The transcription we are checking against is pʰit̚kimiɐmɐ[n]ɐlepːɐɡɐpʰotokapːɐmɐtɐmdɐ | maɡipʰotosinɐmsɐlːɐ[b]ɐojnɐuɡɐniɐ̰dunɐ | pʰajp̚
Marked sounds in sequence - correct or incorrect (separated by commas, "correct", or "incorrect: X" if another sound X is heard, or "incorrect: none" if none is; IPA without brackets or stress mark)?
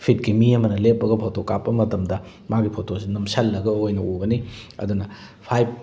correct, incorrect: ɡ